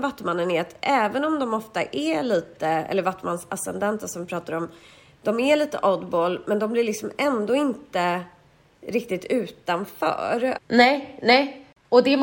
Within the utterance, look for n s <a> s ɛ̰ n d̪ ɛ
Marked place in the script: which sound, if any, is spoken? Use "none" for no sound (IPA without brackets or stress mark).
a